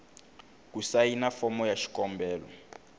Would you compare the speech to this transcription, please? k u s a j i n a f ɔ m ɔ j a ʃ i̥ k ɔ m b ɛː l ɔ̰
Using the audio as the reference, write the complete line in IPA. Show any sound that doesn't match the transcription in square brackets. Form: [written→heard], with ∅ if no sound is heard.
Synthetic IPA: k u s a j i n a f ɔ m ɔ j a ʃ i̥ k ɔ m b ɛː l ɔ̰